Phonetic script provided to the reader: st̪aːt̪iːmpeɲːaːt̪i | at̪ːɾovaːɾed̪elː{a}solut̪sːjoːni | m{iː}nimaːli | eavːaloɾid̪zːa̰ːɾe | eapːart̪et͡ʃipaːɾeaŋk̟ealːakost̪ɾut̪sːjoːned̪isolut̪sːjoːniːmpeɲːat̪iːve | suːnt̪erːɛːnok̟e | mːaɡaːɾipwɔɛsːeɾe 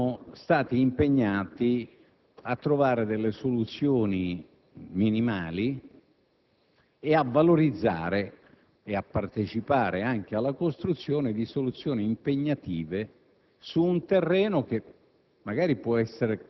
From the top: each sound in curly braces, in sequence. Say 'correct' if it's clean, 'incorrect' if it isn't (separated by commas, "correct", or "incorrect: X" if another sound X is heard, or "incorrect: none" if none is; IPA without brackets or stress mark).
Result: incorrect: e, incorrect: i